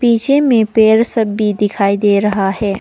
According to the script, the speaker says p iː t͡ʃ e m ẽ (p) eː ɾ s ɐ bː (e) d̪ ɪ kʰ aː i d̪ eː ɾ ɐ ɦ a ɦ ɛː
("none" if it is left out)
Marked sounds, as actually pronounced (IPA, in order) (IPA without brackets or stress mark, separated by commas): p, i